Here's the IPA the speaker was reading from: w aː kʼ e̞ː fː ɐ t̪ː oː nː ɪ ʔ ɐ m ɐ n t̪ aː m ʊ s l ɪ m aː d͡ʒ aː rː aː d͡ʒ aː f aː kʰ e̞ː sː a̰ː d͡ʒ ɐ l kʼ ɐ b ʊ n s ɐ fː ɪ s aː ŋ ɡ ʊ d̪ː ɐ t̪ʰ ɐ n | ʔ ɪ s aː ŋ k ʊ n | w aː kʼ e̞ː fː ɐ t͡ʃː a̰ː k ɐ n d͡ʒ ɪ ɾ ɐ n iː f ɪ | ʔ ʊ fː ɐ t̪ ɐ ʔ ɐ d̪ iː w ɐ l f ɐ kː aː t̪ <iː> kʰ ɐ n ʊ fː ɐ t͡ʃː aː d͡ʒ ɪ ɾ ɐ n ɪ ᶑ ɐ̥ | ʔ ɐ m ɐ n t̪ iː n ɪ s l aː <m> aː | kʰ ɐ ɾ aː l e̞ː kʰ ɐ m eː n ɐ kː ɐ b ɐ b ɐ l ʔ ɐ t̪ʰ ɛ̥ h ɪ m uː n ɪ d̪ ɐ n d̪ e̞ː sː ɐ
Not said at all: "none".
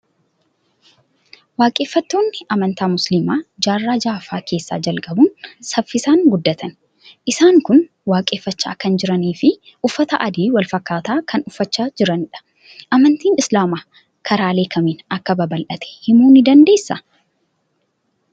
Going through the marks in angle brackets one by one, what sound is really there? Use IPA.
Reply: aː, m

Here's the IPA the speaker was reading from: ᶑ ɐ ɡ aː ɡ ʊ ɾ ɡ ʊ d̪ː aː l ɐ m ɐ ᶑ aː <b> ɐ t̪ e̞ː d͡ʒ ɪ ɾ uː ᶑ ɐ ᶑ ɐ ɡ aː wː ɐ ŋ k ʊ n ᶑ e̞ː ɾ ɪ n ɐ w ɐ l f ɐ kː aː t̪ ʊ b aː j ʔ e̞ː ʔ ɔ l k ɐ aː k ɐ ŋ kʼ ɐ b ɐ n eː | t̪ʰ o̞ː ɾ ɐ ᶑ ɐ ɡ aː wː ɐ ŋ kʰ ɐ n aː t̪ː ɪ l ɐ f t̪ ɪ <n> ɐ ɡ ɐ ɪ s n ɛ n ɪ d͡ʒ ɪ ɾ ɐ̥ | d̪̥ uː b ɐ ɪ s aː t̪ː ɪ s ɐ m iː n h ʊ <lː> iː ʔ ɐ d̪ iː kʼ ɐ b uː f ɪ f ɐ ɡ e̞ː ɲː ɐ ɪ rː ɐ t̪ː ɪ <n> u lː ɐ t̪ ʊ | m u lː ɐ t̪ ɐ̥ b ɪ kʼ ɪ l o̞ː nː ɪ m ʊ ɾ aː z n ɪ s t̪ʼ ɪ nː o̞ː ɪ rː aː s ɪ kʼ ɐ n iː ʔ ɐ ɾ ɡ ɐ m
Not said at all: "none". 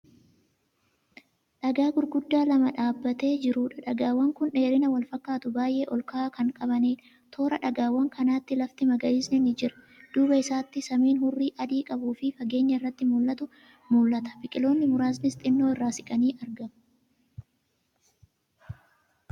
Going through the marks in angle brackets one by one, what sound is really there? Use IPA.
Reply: bː, m, rː, m

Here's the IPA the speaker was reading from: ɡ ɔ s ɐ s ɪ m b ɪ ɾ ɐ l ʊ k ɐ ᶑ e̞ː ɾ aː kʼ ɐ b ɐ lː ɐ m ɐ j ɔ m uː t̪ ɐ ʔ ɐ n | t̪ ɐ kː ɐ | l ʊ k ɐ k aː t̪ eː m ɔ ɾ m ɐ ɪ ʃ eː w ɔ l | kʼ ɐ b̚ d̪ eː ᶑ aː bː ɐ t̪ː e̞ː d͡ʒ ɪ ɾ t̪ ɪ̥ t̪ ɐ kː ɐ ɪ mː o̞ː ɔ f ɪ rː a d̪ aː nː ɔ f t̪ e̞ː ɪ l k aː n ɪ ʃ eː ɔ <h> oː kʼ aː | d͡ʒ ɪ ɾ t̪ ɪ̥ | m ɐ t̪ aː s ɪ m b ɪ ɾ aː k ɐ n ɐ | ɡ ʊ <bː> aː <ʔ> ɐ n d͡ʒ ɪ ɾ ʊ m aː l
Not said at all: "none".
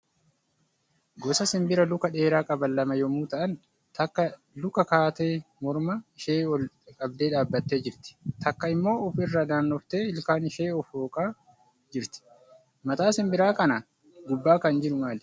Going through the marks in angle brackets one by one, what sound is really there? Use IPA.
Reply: f, bː, k

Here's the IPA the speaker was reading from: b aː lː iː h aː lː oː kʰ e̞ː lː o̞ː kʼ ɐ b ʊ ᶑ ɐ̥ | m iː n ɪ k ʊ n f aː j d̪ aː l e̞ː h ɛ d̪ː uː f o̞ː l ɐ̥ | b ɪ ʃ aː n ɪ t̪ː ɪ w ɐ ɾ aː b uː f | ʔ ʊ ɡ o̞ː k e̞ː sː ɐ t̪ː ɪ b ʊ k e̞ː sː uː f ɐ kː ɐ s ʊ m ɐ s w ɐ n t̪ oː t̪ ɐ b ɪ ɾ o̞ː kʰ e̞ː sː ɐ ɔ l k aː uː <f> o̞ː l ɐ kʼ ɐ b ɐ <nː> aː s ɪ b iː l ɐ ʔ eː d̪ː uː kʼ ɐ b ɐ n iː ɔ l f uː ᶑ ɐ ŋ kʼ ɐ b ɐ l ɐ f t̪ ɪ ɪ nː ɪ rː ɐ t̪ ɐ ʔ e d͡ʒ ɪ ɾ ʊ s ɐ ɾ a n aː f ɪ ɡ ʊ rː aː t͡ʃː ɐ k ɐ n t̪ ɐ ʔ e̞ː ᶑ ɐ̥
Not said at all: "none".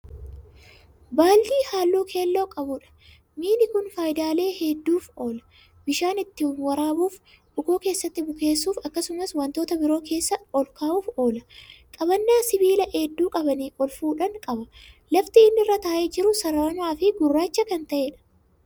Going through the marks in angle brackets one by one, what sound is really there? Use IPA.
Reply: f, nː

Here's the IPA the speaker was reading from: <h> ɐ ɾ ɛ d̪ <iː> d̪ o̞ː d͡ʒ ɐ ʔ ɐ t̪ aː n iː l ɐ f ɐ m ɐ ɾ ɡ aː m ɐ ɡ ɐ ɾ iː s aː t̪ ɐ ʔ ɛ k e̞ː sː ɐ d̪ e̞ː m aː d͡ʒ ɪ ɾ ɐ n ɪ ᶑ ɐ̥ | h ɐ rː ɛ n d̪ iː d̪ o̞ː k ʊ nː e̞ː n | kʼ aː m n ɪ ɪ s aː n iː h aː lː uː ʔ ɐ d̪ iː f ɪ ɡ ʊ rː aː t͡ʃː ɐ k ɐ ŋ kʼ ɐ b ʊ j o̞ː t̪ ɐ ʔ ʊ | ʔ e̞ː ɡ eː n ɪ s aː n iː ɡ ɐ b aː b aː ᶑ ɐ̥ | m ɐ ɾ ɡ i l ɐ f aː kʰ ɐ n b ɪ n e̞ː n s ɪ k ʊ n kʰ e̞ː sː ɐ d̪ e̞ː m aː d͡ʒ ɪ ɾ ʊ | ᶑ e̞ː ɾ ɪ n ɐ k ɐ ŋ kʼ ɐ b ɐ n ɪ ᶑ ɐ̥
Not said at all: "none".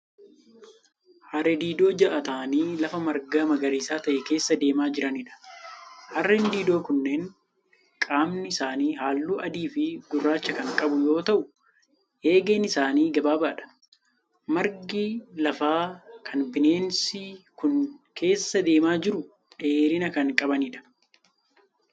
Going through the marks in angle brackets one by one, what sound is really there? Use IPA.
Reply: h, iː

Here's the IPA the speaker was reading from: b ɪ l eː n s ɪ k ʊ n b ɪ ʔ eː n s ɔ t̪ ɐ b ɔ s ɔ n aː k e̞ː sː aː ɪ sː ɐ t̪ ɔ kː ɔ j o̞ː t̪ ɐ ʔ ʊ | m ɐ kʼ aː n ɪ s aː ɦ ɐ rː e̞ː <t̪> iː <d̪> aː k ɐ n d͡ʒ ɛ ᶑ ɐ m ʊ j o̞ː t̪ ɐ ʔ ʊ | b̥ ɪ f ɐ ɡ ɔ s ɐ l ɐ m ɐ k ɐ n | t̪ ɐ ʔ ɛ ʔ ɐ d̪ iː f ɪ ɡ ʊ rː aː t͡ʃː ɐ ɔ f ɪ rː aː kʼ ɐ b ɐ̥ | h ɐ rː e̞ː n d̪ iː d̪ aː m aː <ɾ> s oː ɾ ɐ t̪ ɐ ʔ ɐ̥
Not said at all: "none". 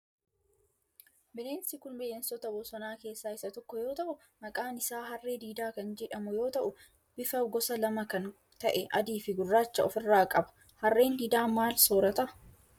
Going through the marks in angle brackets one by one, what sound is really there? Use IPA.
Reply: d̪, d̪, l

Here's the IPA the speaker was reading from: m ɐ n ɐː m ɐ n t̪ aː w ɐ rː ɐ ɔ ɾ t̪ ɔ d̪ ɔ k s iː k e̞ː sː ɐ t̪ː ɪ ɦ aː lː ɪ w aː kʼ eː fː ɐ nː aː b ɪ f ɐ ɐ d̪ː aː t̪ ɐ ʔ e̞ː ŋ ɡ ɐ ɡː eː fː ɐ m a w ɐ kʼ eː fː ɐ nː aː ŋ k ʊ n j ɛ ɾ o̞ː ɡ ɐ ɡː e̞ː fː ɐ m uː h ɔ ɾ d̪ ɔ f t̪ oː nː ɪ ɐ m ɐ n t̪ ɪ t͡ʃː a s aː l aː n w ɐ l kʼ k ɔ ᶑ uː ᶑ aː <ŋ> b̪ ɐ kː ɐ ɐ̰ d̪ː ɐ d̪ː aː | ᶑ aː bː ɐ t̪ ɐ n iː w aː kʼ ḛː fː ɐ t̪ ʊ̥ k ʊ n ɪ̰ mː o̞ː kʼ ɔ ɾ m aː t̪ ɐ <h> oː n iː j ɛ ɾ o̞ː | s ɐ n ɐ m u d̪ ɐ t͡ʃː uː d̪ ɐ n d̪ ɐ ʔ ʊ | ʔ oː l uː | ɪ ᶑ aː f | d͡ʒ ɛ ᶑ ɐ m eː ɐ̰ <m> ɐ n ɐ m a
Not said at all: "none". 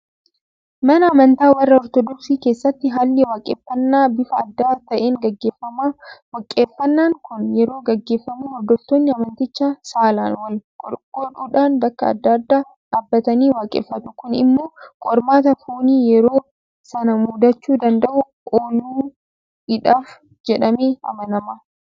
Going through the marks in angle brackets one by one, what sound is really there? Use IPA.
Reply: n, f, m

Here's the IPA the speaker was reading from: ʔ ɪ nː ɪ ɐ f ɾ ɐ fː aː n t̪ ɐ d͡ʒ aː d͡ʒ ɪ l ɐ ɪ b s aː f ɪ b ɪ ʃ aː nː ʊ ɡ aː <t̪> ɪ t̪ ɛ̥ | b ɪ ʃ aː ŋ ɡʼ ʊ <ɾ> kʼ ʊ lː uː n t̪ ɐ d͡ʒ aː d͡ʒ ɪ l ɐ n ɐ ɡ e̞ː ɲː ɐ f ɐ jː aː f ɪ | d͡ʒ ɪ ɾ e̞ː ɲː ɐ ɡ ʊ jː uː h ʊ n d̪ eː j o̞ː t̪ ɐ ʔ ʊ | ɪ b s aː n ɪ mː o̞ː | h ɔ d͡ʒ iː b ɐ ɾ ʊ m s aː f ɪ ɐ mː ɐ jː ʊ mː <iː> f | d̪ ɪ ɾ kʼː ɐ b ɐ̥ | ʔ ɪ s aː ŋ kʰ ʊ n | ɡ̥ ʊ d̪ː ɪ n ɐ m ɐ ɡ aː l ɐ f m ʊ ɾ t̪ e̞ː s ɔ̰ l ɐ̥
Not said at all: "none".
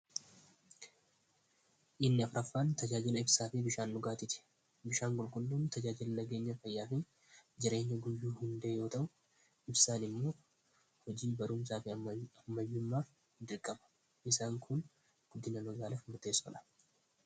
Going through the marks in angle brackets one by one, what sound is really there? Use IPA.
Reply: t̪, l, aː

